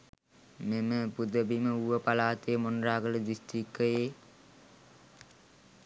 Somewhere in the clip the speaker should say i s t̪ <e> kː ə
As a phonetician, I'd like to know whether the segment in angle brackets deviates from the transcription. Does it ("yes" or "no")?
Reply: yes